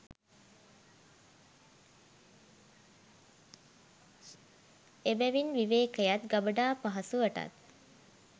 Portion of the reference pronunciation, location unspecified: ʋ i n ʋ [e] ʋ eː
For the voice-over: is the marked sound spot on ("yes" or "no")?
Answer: no